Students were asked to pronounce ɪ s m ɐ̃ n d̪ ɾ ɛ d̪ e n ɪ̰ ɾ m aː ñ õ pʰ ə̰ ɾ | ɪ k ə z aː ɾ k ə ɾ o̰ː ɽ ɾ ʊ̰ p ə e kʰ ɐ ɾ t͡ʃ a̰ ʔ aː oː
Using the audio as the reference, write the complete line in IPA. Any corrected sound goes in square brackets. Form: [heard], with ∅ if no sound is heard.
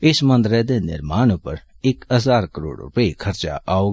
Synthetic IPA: ɪ s m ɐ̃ n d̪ ɾ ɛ d̪ e n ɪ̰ ɾ m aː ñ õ [p] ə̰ ɾ | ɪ k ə z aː ɾ k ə ɾ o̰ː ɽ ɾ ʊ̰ p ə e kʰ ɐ ɾ t͡ʃ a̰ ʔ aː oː

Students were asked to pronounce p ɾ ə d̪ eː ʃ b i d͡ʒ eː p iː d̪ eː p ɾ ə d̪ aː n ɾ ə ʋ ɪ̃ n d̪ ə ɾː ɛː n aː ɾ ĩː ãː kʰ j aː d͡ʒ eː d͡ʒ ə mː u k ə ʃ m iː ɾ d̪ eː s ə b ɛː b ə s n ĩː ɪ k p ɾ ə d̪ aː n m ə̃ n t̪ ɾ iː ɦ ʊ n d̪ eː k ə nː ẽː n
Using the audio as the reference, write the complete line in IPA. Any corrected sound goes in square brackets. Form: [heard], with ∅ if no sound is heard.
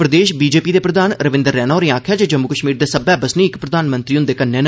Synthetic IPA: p ɾ ə d̪ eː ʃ b [iː] d͡ʒ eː p iː d̪ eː p ɾ ə d̪ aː n ɾ ə ʋ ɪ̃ n d̪ ə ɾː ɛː n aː ɾ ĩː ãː kʰ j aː d͡ʒ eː d͡ʒ ə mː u k ə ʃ m iː ɾ d̪ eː s ə b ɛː b ə s n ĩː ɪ k p ɾ ə d̪ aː n m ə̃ n t̪ ɾ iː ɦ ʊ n d̪ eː k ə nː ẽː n

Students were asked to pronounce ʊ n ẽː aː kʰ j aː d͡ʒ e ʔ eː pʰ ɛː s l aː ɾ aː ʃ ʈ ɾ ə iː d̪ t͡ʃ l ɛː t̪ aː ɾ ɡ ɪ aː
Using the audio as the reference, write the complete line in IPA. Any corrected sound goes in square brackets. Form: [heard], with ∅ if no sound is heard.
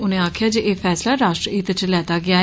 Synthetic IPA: ʊ n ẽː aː kʰ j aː d͡ʒ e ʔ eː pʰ ɛː s l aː ɾ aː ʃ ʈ ɾ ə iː [t̪] t͡ʃ l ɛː t̪ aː [∅] ɡ ɪ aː

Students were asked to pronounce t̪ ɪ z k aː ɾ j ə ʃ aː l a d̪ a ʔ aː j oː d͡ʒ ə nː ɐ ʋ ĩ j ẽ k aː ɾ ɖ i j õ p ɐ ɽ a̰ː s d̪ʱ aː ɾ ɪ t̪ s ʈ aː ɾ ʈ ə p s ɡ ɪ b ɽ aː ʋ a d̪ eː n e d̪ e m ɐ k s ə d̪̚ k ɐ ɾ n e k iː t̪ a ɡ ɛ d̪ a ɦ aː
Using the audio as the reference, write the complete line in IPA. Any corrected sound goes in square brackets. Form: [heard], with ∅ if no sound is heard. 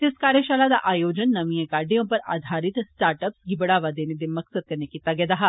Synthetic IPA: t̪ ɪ [s] k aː ɾ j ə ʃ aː l a d̪ a ʔ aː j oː d͡ʒ ə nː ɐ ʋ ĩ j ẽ k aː ɾ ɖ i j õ p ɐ [ɾ] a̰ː [∅] d̪ʱ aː ɾ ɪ t̪ s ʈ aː ɾ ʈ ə p s ɡ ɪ b ɽ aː ʋ a d̪ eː n e d̪ e m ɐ k s ə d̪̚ k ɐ ɾ n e k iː t̪ a ɡ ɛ d̪ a ɦ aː

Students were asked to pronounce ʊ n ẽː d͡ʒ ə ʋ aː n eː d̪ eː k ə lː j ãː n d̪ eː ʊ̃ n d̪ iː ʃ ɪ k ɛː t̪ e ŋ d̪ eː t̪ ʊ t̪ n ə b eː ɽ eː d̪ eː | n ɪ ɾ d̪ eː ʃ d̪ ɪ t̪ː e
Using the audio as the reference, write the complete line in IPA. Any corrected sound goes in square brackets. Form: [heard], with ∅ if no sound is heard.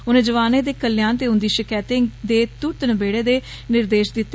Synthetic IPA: ʊ n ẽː d͡ʒ ə ʋ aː n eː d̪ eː k ə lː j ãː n [t̪] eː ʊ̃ n d̪ iː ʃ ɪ k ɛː t̪ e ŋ d̪ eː t̪ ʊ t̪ n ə b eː ɽ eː d̪ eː | n ɪ ɾ d̪ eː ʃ d̪ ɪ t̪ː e

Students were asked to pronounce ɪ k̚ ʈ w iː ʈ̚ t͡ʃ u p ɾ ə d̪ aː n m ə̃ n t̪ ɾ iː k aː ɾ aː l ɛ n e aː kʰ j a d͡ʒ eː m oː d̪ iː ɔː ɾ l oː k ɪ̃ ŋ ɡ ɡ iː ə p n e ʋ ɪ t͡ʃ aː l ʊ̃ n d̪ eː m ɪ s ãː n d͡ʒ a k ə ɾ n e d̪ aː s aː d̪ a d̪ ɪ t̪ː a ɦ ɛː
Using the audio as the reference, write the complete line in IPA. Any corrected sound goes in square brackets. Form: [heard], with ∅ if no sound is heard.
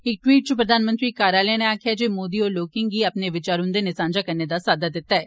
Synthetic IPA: ɪ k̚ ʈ w iː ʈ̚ t͡ʃ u p ɾ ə d̪ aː n m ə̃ n t̪ ɾ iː k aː ɾ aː l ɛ n e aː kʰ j a d͡ʒ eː m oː d̪ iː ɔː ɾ l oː k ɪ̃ ŋ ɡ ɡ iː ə p n e ʋ ɪ t͡ʃ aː [ɾ] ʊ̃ n d̪ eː [n] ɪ s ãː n d͡ʒ a k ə ɾ n e d̪ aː s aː d̪ a d̪ ɪ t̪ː a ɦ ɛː

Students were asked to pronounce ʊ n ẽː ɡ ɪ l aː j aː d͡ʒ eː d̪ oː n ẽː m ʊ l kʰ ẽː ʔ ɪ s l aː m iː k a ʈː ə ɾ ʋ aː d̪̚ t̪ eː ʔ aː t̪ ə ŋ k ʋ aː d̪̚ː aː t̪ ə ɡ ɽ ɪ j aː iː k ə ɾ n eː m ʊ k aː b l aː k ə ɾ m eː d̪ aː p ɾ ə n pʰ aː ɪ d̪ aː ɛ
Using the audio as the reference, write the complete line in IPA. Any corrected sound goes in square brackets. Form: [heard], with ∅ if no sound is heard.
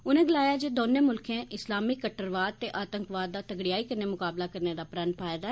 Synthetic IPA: ʊ n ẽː ɡ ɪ l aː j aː d͡ʒ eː d̪ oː n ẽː m ʊ l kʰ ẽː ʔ ɪ s l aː m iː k [ə] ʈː ə ɾ ʋ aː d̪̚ t̪ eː ʔ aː t̪ ə ŋ k ʋ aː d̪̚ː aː t̪ ə ɡ ɽ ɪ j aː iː k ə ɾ n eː m ʊ k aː b l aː k ə ɾ [n] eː d̪ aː p ɾ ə n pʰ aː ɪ d̪ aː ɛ

